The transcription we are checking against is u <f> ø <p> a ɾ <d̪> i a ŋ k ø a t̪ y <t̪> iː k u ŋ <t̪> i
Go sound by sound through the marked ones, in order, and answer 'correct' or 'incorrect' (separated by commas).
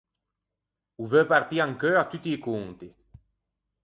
incorrect, correct, incorrect, correct, correct